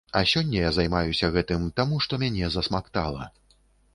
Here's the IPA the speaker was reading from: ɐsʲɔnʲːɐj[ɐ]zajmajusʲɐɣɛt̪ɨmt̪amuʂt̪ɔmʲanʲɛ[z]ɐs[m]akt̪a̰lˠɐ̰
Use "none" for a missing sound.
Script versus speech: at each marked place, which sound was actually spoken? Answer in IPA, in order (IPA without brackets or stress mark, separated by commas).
a, z, m